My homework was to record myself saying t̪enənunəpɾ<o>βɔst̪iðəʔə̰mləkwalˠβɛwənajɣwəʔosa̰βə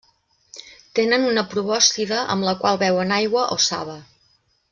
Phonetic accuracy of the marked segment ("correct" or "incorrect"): incorrect